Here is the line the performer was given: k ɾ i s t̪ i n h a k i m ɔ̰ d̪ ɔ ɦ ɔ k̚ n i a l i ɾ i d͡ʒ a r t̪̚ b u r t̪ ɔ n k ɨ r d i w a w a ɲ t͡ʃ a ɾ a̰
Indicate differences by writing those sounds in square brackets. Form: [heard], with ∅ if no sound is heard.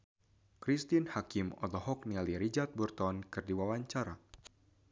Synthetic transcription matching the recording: k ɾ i s t̪ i n h a k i m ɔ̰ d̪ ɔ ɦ ɔ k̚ n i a l i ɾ i d͡ʒ a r t̪̚ b u r t̪ ɔ n k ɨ r d i w a w a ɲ t͡ʃ a ɾ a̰